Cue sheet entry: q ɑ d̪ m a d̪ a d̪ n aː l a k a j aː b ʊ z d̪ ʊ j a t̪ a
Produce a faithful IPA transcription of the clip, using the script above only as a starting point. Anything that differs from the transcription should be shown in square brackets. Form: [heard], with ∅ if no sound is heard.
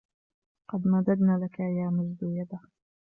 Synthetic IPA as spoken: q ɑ d̪ m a d̪ a d̪ n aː l a k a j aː [m] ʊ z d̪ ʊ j a [d̪] a